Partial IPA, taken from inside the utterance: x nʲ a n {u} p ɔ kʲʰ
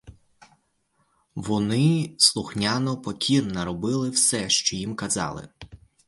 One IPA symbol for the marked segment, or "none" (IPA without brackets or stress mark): ɔ